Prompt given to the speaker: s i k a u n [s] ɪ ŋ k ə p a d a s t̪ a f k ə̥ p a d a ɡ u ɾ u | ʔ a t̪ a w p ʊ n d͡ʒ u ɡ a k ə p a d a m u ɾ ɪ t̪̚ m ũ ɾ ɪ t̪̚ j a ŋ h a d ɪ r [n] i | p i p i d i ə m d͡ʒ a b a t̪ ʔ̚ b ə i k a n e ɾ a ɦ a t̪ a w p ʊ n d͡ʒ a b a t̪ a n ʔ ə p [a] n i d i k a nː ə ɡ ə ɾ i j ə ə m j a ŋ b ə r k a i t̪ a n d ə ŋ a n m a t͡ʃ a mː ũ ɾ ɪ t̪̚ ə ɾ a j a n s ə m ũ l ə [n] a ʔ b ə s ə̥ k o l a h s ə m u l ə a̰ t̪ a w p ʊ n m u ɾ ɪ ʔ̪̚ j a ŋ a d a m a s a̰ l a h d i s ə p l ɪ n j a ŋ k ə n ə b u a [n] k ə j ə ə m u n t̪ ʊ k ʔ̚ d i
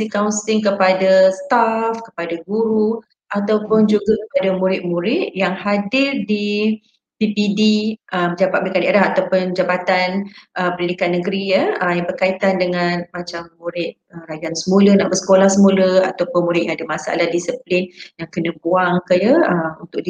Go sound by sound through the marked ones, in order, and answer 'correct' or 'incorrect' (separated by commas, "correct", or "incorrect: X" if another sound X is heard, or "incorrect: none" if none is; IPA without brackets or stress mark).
correct, incorrect: d, incorrect: ə, correct, incorrect: ŋ